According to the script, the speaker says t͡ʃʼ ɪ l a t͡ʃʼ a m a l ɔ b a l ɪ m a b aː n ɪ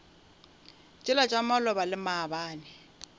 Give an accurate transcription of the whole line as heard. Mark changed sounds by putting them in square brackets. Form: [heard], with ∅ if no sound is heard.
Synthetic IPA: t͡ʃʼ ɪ l a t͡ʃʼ a m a l ɔ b a l ɪ m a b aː n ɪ